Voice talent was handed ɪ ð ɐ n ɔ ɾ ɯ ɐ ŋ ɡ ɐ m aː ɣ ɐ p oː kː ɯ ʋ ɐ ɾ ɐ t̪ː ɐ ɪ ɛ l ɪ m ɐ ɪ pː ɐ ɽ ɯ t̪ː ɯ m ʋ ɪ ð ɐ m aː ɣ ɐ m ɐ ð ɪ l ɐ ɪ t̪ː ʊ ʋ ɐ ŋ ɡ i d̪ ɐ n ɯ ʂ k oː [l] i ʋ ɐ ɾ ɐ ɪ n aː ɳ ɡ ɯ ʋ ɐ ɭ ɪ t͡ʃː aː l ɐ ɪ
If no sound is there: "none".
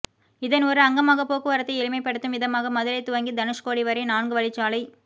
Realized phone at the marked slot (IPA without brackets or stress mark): ɽ